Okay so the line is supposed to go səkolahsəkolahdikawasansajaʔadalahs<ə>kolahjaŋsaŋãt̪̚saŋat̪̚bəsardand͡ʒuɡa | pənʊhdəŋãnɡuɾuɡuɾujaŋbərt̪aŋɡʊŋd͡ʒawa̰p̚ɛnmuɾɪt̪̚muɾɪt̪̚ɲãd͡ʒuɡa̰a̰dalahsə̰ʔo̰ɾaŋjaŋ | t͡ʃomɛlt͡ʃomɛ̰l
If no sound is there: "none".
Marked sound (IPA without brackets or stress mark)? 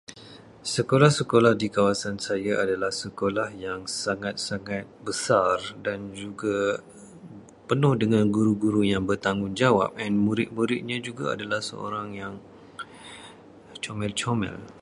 ə